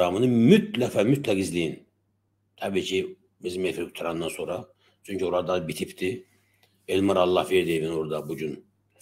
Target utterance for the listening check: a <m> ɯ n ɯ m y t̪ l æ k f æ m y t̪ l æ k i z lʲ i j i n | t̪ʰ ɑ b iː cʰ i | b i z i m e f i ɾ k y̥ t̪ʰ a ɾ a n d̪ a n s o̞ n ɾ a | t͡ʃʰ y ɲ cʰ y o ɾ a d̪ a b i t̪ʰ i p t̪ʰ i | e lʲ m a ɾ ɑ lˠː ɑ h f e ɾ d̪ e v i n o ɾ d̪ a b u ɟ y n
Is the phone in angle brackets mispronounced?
no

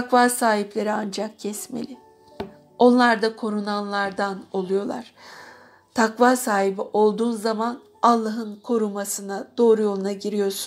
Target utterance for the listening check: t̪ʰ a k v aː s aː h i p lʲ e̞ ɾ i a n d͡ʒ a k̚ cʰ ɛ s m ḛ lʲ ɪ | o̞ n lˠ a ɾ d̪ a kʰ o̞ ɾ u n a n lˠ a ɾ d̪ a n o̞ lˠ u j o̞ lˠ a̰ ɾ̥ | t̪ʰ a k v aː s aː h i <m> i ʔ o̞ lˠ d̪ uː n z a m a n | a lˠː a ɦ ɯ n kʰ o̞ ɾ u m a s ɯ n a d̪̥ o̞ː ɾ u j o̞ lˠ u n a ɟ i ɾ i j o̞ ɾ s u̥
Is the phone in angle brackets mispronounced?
yes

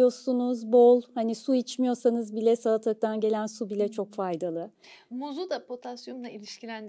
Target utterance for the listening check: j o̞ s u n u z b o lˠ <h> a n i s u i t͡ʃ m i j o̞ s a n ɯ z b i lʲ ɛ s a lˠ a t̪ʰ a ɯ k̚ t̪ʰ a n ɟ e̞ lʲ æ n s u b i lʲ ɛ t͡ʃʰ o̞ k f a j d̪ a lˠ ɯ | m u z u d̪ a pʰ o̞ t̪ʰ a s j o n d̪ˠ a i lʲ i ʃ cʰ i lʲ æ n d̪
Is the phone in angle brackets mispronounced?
no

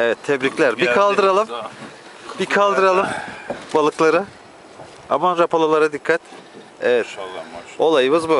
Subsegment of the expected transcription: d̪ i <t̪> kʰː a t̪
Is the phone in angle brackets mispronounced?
yes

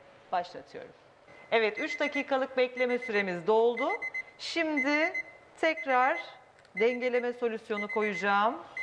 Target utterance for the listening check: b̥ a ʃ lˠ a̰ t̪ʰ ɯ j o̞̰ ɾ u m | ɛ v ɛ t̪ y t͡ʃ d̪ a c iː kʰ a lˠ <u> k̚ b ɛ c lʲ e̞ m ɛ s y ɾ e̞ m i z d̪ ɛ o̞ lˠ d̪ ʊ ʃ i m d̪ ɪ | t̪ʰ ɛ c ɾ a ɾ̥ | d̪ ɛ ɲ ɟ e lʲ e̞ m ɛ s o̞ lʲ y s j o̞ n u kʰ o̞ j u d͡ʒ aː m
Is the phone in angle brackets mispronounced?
yes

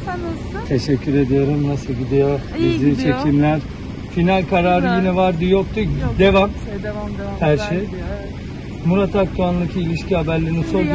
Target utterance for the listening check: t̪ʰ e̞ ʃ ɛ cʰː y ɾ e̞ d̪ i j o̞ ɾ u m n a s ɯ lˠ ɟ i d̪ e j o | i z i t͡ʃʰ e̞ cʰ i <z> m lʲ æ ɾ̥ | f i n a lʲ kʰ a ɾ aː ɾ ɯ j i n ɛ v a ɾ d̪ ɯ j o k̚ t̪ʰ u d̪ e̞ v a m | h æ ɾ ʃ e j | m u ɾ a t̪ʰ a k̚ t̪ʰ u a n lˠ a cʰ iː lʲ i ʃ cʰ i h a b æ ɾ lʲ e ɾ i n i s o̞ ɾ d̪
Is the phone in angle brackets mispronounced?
yes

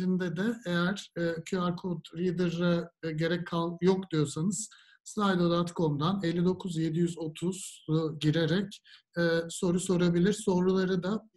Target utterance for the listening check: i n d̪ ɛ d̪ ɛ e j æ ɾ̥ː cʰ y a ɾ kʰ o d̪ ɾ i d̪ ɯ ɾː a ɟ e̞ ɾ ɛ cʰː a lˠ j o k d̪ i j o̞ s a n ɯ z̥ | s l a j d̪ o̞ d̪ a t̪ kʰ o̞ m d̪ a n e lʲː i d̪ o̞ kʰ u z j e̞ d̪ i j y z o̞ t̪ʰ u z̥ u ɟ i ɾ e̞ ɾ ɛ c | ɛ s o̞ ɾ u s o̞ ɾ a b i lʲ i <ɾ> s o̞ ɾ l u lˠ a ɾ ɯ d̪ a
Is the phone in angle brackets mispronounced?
no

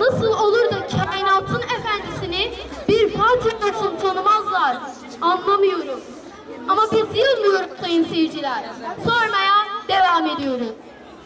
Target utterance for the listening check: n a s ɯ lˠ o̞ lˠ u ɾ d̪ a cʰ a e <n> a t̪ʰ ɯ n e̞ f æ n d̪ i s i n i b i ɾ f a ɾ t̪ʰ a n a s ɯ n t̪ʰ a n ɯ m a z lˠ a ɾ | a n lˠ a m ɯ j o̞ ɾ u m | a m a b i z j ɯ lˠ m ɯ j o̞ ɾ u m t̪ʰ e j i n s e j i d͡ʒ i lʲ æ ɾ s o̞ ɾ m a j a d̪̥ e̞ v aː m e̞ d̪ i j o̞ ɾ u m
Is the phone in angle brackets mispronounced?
no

